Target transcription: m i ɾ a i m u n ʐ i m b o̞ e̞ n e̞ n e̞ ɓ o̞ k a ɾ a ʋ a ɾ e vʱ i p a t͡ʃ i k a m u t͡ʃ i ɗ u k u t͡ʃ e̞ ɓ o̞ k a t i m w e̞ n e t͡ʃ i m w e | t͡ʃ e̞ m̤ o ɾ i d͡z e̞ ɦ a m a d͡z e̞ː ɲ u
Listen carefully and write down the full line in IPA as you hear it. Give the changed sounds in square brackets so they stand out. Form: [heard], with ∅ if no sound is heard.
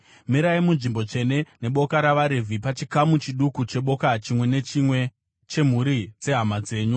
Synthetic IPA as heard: m i ɾ a i m u n ʐ i m b o̞ e̞ n e̞ n e̞ ɓ o̞ k a ɾ a ʋ a ɾ e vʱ i p a t͡ʃ i k a m u t͡ʃ i ɗ u k u t͡ʃ e̞ ɓ o̞ k a [t͡ʃ] i m w e̞ n e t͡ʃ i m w e | t͡ʃ e̞ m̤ [u] ɾ i d͡z e̞ ɦ a m a d͡z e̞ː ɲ u